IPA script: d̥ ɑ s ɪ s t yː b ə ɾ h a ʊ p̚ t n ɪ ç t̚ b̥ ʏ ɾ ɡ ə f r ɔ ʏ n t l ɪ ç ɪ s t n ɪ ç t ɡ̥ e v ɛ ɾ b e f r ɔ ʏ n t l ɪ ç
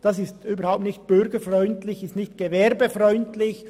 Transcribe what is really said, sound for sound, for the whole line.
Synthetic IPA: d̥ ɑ s ɪ s t yː b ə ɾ h a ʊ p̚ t n ɪ ç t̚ b̥ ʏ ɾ ɡ ə f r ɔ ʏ n t l ɪ ç ɪ s t n ɪ ç t ɡ̥ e v ɛ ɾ b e f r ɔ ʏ n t l ɪ ç

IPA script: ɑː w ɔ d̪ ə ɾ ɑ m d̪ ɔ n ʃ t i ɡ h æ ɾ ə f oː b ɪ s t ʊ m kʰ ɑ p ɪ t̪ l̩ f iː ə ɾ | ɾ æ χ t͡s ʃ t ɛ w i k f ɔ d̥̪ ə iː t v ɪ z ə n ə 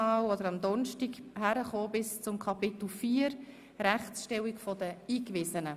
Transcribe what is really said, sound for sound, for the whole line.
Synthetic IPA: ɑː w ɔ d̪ ə ɾ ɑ m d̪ ɔ n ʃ t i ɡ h æ ɾ ə χ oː b ɪ s t͡s ʊ m kʰ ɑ p ɪ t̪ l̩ f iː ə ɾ | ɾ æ χ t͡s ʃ t ɛ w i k f ɔ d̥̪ ə iː k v ɪ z ə n ə

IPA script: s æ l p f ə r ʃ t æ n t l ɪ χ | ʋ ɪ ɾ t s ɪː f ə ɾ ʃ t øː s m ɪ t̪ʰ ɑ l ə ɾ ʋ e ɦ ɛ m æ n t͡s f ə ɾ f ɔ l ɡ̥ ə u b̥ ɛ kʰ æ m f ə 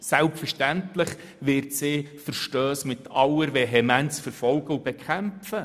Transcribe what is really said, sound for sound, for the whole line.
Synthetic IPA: s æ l p f ə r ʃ t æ n t l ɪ χ | ʋ ɪ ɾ t s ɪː f ə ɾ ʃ t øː s m ɪ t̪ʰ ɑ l ə ɾ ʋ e ɦ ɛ m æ n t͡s f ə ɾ f ɔ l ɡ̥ ə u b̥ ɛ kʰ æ m f ə

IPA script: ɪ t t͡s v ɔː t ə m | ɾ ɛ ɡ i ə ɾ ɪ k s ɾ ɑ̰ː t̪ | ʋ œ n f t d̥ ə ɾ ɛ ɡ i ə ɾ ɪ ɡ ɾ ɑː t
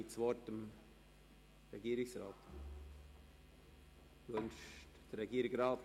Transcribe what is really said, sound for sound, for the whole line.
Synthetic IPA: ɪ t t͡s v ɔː t ə m | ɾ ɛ ɡ i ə ɾ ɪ k s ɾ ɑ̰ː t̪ | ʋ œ n ʃ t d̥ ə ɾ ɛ ɡ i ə ɾ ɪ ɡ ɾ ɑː t

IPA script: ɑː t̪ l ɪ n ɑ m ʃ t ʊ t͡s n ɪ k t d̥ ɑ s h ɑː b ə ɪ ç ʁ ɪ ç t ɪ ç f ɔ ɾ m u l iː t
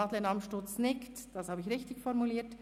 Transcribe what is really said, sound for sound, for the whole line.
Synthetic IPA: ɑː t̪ l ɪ n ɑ m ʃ t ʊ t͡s n ɪ k t d̥ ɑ s h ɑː b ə ɪ ç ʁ ɪ ç t ɪ ç f ɔ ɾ m u l iː t

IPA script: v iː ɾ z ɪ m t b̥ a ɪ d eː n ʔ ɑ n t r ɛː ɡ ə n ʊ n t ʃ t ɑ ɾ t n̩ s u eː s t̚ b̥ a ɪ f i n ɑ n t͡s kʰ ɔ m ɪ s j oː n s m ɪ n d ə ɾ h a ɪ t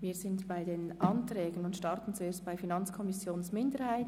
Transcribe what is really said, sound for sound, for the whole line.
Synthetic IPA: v iː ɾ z ɪ n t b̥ a ɪ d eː n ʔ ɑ n t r ɛː ɡ ə n ʊ n t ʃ t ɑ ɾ t n̩ t͡s u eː s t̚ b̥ a ɪ f i n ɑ n t͡s kʰ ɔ m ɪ s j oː n s m ɪ n d ə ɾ h a ɪ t

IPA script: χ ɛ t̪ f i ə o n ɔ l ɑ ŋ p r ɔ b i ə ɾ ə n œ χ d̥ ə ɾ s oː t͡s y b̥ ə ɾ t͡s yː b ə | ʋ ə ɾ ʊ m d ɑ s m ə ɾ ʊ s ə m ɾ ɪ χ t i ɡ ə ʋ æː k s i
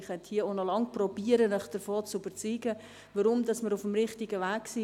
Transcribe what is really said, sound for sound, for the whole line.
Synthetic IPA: χ ɛ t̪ h i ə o n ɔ l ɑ ŋ p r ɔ b i ə ɾ ə n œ χ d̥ ə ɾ f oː t͡s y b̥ ə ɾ t͡s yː ɡ ə | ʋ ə ɾ ʊ m d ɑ s m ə ɾ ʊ f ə m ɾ ɪ χ t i ɡ ə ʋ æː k s i

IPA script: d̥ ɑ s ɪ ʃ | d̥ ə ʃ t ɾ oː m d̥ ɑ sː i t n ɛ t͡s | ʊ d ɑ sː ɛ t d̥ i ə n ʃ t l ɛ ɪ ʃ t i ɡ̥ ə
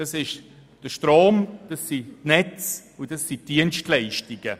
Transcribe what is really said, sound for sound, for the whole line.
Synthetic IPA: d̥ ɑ s ɪ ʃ | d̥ ə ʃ t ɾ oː m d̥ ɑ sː i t n ɛ t͡s | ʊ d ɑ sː i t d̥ i ə n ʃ t l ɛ ɪ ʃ t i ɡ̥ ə

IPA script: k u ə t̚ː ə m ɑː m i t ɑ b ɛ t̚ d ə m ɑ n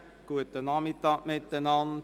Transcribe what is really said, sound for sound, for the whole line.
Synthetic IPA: k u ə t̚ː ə n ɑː m i t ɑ m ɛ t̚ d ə n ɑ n

